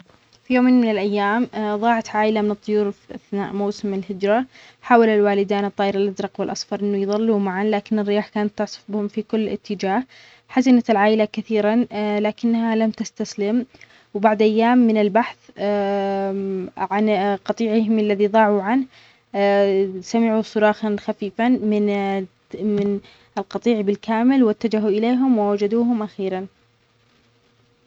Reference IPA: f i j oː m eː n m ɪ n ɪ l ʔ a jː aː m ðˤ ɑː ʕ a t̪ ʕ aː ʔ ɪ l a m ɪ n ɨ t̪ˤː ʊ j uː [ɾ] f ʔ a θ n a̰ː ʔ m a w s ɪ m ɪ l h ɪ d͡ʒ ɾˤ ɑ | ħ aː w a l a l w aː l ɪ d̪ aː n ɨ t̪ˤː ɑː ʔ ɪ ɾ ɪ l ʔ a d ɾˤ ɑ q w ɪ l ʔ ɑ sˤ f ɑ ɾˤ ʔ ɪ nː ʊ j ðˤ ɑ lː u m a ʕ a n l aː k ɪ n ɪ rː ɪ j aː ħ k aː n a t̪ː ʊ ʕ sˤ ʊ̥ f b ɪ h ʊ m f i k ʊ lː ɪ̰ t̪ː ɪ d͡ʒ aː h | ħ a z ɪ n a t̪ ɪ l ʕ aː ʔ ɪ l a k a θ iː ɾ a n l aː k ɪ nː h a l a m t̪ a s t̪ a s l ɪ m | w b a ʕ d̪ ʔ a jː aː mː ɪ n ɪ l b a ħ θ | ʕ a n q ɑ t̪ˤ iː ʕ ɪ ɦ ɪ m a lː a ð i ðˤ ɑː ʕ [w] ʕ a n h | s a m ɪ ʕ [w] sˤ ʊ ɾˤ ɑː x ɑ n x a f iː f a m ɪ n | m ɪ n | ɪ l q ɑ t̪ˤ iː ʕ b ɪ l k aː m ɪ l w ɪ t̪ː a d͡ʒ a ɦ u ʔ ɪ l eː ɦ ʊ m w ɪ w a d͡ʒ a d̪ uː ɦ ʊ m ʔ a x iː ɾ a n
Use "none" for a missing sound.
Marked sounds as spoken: ɾ, u, u

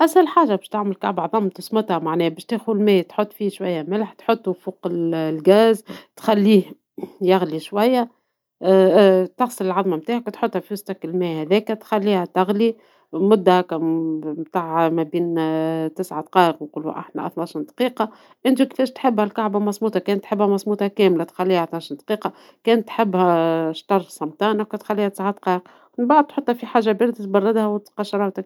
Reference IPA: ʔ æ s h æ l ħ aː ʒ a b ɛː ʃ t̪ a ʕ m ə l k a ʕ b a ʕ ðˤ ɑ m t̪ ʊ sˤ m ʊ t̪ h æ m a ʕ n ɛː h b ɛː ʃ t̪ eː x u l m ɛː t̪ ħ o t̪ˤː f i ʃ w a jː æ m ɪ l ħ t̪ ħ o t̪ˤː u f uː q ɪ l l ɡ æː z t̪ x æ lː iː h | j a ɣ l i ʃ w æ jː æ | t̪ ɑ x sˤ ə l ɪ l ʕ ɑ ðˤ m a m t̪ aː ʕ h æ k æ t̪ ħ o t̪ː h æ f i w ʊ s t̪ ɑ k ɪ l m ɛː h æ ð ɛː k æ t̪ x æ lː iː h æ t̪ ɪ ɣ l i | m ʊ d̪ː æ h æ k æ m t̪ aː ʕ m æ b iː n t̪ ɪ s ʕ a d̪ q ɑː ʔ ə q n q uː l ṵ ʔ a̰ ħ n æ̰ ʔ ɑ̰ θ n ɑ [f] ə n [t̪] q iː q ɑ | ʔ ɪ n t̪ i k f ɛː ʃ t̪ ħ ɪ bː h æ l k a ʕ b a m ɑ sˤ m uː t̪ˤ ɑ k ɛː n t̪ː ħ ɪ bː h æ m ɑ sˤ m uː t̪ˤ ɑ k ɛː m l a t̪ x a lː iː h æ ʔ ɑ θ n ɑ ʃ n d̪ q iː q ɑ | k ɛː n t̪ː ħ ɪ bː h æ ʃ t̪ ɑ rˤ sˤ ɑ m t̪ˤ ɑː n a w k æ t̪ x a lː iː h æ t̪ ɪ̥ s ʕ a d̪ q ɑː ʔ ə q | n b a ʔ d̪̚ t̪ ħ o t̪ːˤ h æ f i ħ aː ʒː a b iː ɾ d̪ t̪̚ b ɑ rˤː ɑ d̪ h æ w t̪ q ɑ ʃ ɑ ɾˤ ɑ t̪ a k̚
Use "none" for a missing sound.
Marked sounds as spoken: ʃ, d̪

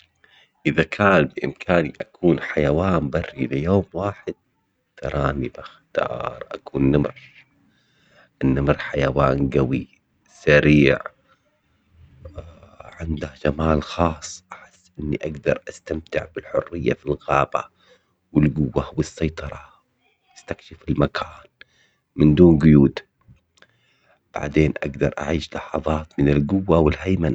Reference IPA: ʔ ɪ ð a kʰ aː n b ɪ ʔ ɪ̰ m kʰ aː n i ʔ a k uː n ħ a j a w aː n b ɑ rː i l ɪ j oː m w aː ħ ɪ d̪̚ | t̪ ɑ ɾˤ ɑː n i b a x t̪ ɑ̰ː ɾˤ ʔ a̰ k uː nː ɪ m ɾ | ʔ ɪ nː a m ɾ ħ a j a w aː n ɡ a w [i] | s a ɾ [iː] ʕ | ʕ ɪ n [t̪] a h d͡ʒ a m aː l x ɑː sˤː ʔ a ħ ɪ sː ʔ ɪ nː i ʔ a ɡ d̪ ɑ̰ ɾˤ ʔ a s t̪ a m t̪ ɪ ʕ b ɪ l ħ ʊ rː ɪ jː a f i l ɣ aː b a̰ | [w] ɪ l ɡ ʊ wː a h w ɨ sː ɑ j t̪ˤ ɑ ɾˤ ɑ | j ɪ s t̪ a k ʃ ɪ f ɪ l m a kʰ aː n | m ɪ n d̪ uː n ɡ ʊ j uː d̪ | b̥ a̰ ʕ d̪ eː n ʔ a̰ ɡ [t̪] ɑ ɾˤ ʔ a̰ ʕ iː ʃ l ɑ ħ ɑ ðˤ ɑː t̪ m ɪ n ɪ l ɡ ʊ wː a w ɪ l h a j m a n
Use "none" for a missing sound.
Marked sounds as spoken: i, iː, d̪, w, d̪

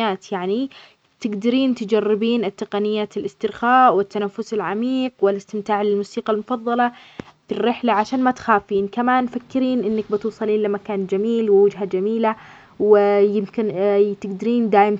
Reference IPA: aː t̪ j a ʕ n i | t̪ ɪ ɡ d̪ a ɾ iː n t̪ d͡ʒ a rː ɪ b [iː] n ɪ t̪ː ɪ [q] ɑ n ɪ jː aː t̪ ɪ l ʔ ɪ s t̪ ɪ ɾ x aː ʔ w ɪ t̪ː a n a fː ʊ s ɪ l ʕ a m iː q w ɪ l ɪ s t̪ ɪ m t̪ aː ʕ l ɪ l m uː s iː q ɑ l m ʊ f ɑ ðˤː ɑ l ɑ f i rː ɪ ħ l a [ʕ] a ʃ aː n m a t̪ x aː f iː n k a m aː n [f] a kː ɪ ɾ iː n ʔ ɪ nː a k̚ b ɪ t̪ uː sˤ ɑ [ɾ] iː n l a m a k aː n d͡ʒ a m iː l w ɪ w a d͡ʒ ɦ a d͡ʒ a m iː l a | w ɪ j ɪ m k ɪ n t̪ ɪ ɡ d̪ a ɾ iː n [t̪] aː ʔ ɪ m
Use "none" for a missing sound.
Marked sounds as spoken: iː, q, ʕ, f, l, d̪

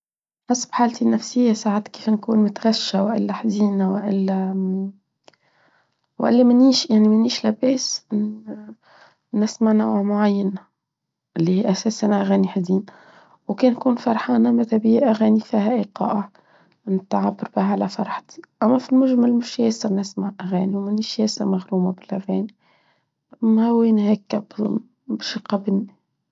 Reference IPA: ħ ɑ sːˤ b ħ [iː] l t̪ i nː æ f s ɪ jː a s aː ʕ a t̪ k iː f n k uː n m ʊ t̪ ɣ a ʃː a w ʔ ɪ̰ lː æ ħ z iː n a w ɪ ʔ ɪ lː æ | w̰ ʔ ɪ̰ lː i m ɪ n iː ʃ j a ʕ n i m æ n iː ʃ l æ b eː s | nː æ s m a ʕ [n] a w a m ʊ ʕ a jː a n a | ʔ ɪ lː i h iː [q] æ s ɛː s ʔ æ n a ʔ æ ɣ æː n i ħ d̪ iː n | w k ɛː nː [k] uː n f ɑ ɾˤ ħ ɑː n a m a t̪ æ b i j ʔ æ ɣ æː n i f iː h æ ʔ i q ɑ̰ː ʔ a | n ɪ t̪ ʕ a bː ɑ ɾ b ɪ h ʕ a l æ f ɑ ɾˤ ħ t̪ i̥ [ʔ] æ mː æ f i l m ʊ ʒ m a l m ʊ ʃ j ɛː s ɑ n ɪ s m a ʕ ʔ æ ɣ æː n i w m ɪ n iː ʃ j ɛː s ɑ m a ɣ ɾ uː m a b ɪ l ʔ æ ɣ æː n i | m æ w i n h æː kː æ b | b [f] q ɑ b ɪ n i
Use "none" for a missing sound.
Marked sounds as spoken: aː, n, ʔ, k, ʔ, ʃ

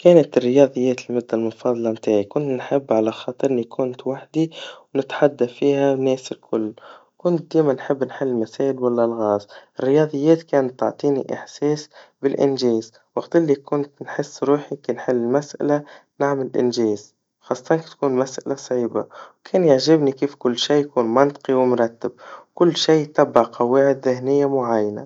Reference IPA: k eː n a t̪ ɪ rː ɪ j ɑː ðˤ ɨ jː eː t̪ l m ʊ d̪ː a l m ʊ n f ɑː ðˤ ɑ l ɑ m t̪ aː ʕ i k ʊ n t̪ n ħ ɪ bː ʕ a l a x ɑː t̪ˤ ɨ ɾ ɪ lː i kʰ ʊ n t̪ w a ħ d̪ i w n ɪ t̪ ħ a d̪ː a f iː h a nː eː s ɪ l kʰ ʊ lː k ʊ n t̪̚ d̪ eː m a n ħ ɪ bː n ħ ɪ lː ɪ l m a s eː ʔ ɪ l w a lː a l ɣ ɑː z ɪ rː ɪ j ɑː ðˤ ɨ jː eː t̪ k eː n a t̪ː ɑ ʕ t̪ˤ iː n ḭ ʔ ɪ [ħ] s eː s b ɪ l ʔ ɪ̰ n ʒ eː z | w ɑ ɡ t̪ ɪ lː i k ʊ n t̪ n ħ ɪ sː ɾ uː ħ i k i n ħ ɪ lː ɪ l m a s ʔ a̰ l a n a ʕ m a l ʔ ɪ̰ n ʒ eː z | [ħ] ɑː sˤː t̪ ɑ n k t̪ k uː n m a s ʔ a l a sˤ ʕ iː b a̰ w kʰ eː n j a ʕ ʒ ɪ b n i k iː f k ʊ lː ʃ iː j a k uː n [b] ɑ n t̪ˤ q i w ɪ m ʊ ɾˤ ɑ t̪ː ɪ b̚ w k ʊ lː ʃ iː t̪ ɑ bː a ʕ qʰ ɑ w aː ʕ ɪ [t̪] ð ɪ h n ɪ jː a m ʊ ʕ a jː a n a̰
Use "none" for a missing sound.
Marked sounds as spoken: ħ, x, m, d̪

